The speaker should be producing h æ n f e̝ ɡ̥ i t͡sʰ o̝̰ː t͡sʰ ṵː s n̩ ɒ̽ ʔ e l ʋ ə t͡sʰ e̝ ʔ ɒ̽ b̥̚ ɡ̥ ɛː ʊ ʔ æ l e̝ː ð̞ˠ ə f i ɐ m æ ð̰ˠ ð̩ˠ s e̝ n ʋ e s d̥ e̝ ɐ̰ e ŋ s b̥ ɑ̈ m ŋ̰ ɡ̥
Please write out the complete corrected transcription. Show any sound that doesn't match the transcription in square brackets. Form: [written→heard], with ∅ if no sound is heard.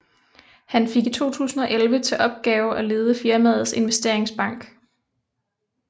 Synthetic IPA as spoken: h æ n f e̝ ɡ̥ i t͡sʰ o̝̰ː t͡sʰ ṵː s n̩ ɒ̽ ʔ e l ʋ ə t͡sʰ e̝ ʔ ɒ̽ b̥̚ ɡ̥ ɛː ʊ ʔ æ l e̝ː ð̞ˠ ə f i ɐ m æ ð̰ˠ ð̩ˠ s e̝ n ʋ e s d̥ e̝ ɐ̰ e ŋ s b̥ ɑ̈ [m→∅] ŋ̰ ɡ̥